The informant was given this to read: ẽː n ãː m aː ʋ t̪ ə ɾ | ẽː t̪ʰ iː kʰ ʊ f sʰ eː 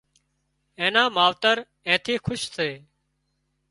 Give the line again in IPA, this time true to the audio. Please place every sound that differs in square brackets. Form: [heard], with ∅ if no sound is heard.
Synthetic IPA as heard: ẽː n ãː m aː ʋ t̪ ə ɾ | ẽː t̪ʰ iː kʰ ʊ [ʃ] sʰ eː